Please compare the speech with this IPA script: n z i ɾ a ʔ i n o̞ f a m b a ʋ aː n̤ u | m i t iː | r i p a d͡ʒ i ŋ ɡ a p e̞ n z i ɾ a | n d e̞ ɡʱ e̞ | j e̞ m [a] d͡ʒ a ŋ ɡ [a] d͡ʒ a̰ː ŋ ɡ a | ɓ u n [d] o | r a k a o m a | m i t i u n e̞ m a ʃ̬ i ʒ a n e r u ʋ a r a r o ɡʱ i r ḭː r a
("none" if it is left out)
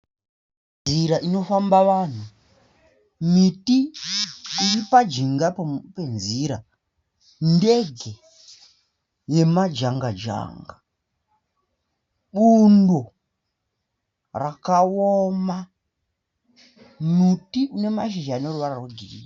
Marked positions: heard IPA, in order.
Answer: a, a, d

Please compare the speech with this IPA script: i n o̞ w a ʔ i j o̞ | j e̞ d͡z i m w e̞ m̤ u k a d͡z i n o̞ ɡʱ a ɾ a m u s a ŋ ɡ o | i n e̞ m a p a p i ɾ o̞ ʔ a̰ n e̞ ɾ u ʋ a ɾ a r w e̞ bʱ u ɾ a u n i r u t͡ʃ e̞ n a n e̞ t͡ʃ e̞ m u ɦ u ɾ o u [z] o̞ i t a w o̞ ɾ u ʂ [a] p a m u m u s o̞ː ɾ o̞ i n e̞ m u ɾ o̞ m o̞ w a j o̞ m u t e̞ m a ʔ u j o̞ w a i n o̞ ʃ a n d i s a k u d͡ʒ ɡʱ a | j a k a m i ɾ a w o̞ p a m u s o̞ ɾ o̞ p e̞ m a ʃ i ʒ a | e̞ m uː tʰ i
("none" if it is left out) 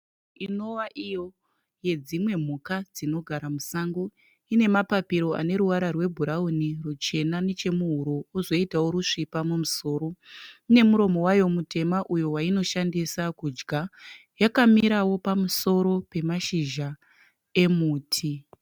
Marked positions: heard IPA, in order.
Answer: z, i

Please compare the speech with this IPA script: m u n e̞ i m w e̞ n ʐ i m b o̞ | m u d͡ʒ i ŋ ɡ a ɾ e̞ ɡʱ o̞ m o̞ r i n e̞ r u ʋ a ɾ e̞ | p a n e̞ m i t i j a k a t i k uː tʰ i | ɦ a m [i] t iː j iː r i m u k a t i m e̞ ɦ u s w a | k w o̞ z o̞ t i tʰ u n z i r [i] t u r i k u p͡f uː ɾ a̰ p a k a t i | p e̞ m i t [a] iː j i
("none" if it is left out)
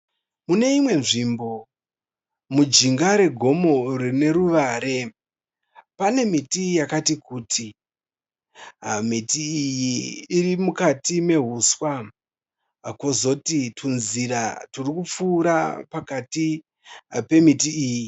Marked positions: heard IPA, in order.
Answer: i, a, i

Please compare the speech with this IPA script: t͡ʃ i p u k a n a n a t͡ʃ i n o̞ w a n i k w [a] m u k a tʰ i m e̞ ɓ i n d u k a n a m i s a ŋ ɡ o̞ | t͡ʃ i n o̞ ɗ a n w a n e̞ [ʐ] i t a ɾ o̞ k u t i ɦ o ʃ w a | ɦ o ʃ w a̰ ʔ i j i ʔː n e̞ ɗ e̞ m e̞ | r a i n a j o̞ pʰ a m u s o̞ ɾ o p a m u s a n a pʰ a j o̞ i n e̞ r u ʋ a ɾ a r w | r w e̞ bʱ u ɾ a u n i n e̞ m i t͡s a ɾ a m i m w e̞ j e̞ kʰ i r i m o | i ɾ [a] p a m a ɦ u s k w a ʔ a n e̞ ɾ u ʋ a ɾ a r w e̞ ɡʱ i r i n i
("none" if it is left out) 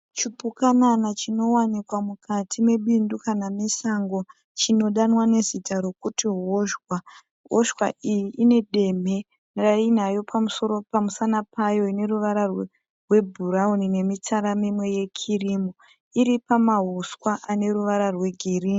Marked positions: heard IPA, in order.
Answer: a, z, i

